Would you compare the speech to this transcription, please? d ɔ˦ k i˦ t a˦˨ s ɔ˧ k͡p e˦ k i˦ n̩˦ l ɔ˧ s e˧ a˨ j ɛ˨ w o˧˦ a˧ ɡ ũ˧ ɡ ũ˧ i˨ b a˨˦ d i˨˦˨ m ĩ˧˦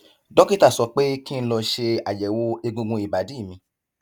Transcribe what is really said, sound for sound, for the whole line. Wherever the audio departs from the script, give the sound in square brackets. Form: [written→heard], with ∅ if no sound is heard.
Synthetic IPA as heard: d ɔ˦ k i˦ t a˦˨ s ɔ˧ k͡p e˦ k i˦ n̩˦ l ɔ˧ [s→ʃ] e˧ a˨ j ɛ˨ w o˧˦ [a˧→e˧] ɡ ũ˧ ɡ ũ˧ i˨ b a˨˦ d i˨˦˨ m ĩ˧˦

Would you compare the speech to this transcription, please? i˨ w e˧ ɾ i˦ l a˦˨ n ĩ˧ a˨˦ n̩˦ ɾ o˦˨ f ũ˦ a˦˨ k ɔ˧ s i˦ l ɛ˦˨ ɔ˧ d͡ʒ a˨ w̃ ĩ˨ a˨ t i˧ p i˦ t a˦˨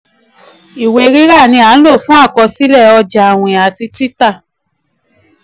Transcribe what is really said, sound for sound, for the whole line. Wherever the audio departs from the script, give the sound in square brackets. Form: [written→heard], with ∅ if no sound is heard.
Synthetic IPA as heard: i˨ w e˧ ɾ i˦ [l→ɾ] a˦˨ n ĩ˧ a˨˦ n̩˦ [ɾ→l] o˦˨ f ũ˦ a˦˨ k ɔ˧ s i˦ l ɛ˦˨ ɔ˧ d͡ʒ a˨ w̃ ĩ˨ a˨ t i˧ [p→t] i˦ t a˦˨

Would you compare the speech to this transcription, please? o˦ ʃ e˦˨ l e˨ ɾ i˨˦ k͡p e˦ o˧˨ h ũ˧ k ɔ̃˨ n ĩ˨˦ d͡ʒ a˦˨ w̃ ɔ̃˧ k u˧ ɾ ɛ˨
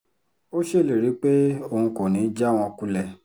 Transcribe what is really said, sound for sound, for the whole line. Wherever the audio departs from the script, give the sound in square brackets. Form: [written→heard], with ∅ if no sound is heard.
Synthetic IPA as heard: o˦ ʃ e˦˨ l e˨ ɾ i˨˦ k͡p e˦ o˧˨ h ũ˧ k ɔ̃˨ n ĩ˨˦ d͡ʒ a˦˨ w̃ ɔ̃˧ k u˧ [ɾ→l] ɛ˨

